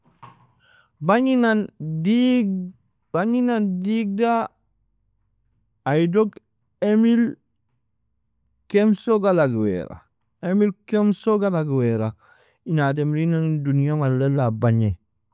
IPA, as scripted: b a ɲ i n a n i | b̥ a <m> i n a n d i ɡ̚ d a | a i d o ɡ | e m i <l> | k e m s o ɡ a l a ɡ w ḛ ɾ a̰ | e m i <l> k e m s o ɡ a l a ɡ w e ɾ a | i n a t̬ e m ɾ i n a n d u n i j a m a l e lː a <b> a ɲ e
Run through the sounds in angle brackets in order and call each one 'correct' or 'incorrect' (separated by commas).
incorrect, correct, correct, correct